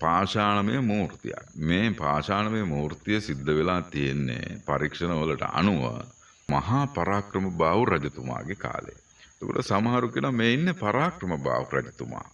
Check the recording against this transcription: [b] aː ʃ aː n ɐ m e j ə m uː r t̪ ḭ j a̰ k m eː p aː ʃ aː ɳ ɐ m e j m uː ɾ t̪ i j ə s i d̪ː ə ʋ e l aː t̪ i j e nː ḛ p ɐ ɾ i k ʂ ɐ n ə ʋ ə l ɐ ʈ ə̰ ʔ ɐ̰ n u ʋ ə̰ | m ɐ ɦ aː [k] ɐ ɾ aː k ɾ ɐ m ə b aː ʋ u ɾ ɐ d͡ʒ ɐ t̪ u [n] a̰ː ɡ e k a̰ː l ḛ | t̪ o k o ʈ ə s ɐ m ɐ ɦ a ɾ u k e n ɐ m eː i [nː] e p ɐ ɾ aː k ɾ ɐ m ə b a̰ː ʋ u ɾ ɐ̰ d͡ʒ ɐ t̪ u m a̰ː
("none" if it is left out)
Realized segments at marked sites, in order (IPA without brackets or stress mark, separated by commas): p, p, m, nː